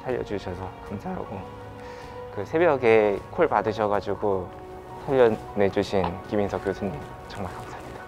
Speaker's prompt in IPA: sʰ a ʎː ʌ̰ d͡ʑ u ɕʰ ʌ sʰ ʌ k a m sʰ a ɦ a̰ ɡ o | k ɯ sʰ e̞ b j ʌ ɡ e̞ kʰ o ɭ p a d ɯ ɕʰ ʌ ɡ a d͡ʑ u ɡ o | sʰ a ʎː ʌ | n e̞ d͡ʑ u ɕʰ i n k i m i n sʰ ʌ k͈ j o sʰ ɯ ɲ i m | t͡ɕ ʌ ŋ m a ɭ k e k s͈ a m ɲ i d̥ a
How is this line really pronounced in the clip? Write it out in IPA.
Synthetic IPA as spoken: sʰ a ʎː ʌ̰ d͡ʑ u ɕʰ ʌ sʰ ʌ k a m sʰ a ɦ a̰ ɡ o | k ɯ sʰ e̞ b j ʌ ɡ e̞ kʰ o ɭ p a d ɯ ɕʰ ʌ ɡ a d͡ʑ u ɡ o | sʰ a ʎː ʌ | n e̞ d͡ʑ u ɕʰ i n k i m i n sʰ ʌ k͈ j o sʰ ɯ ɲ i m | t͡ɕ ʌ ŋ m a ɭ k a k s͈ a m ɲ i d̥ a